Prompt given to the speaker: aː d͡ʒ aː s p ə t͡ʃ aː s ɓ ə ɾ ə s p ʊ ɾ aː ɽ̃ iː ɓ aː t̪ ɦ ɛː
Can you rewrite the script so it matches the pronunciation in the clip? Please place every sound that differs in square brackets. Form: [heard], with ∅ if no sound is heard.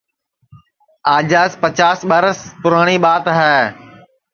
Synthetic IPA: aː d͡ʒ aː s p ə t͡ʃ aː s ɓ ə ɾ ə s p ʊ ɾ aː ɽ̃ iː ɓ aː t̪ ɦ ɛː